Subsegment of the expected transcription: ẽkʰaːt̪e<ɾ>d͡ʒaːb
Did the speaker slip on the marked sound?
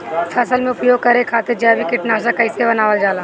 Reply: no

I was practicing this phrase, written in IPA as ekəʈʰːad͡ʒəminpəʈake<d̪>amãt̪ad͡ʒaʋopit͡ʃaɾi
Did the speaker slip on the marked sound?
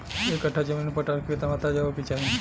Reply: yes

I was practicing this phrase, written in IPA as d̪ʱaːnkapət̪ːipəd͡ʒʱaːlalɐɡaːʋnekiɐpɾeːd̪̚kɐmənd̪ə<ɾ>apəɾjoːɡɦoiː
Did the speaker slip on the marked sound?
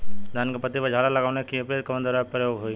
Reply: no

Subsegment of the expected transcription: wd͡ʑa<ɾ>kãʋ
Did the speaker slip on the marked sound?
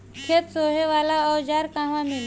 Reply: no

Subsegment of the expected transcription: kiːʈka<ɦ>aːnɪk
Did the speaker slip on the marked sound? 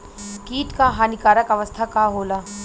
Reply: no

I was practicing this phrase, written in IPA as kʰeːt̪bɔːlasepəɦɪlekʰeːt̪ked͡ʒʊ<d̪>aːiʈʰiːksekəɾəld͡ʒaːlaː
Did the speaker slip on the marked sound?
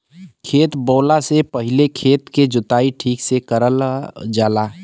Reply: yes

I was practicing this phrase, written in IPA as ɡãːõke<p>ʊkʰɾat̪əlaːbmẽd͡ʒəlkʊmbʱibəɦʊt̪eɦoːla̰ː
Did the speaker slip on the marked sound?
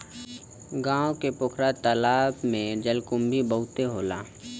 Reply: no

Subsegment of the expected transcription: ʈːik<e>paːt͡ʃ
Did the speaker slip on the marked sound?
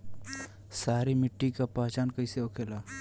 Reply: yes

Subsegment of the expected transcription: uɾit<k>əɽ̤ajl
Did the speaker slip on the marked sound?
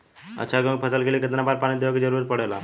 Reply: yes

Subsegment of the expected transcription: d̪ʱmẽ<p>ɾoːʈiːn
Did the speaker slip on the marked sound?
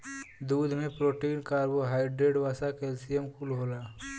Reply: no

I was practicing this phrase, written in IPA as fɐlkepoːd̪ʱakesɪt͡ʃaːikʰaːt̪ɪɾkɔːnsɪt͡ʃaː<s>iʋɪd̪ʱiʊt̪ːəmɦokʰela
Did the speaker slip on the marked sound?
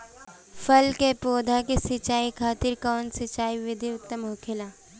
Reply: yes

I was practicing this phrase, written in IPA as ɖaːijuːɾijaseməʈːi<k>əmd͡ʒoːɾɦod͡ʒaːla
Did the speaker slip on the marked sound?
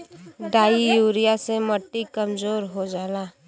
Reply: no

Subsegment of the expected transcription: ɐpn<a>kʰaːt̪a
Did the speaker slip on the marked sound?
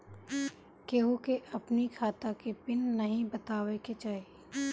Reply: yes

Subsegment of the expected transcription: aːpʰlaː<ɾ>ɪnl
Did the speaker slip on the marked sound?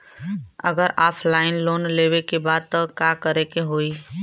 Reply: yes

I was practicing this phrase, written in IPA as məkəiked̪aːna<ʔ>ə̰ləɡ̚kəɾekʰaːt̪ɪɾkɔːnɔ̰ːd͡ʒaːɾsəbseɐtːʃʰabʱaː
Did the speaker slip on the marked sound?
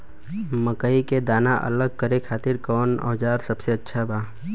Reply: no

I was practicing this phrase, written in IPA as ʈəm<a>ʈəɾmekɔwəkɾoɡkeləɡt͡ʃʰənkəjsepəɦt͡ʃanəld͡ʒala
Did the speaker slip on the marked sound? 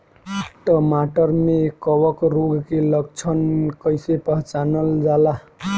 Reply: no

